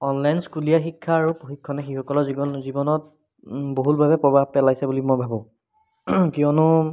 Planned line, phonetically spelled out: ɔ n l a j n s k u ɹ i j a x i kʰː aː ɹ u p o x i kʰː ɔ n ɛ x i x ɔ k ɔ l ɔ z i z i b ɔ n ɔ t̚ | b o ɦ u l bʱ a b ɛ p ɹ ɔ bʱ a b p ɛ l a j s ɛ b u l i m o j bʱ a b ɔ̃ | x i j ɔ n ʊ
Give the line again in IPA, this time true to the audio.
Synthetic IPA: ɔ n l a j n s k u l i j a x i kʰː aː ɹ u p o x i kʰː ɔ n ɛ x i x ɔ k ɔ l ɔ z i z i b ɔ n ɔ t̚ | b o ɦ u l bʱ a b ɛ p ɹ ɔ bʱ a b p ɛ l a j s ɛ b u l i m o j bʱ a b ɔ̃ | k i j ɔ n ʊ